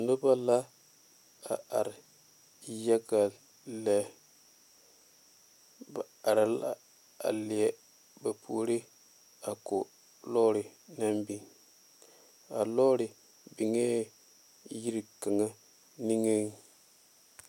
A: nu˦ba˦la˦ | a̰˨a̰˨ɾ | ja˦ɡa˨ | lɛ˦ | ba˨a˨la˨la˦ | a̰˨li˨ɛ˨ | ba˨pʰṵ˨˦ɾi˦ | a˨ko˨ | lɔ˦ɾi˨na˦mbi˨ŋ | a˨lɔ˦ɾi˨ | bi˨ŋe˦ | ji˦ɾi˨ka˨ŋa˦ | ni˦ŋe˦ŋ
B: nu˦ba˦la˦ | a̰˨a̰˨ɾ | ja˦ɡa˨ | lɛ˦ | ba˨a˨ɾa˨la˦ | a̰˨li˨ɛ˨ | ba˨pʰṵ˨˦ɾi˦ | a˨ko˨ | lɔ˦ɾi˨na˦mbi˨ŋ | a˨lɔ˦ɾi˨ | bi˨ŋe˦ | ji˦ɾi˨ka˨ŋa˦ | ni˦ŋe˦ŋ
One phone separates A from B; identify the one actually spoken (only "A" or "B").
B